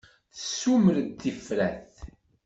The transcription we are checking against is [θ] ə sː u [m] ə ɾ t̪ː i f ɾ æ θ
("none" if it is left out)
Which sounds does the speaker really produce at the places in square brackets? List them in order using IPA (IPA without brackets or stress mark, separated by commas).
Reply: θ, m